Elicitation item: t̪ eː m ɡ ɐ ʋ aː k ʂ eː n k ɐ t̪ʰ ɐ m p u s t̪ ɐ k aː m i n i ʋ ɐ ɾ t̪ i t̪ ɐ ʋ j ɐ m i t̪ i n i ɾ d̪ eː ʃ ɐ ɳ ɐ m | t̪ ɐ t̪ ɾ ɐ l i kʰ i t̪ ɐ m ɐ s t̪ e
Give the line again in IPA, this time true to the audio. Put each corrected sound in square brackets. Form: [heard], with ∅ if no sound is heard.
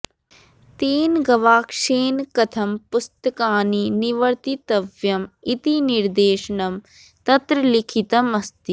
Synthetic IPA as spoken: t̪ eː [n] ɡ ɐ ʋ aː k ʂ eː n k ɐ t̪ʰ ɐ m p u s t̪ ɐ k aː [n] i n i ʋ ɐ ɾ t̪ i t̪ ɐ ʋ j ɐ m i t̪ i n i ɾ d̪ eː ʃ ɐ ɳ ɐ m | t̪ ɐ t̪ ɾ ɐ l i kʰ i t̪ ɐ m ɐ s t̪ [i]